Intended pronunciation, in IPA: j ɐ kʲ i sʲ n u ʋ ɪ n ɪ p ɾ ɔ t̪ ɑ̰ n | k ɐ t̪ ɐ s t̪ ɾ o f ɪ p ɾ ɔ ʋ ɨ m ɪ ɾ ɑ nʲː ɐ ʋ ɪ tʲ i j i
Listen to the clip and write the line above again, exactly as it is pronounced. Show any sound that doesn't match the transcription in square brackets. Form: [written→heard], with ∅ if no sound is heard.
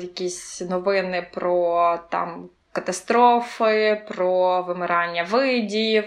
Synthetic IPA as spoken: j ɐ kʲ i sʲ n [u→ɔ] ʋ ɪ n ɪ p ɾ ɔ t̪ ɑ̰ [n→m] | k ɐ t̪ ɐ s t̪ ɾ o f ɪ p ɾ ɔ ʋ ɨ m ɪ ɾ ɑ nʲː ɐ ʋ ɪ [tʲ→dʲ] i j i